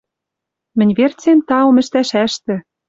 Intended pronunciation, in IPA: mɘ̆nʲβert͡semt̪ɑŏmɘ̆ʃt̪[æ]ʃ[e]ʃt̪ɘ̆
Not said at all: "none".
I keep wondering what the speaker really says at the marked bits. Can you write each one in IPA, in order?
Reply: æ, æ

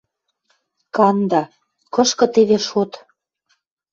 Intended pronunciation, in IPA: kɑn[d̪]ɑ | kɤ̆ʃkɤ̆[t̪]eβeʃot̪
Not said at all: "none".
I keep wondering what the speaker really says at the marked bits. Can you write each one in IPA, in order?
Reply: d̪, t̪

